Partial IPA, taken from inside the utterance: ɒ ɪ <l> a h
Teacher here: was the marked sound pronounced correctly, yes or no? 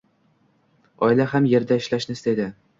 yes